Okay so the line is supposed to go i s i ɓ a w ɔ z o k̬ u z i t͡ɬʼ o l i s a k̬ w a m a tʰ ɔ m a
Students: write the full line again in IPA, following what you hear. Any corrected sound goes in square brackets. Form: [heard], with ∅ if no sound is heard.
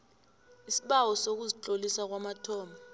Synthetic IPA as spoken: i s i ɓ a w ɔ [s] o k̬ u z i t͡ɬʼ o l i s a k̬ w a m a tʰ [ɔː] m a

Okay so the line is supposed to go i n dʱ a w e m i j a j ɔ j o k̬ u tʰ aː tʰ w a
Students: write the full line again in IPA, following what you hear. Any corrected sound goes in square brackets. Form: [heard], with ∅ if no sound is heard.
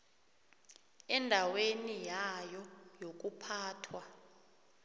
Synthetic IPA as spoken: [ɛ] n dʱ a w e [n] i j a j ɔ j o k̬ u [pʰ] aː tʰ w a

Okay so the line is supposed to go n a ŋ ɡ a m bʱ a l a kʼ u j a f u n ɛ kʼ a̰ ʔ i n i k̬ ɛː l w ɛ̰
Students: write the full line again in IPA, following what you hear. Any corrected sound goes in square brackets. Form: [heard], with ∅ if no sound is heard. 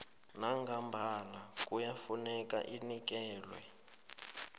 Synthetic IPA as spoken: n a ŋ ɡ a m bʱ a l a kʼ u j a f u n ɛ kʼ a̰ ʔ i n i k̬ ɛː l w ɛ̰

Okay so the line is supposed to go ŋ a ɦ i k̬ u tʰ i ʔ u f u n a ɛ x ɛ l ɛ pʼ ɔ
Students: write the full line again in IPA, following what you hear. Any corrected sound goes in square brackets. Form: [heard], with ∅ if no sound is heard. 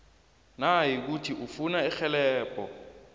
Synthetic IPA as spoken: [n] a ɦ i k̬ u tʰ i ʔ u f u n a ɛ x ɛ l [ɛː] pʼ ɔ

